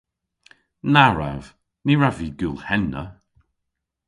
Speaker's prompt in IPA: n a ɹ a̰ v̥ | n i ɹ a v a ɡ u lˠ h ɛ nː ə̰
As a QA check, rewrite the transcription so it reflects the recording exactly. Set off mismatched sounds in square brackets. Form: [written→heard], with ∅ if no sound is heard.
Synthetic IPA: n a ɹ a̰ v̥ | n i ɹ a v [a→i] ɡ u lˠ h ɛ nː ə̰